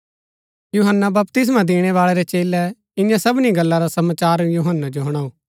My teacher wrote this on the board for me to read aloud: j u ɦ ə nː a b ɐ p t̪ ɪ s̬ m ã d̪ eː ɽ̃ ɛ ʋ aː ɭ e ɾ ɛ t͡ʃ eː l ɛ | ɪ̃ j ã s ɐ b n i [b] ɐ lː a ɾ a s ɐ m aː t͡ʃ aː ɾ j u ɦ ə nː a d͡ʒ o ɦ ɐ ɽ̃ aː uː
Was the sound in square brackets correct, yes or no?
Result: no